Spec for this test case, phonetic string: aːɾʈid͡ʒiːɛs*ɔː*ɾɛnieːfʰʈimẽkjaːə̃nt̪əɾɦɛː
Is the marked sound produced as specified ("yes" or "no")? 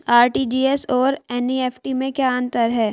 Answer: yes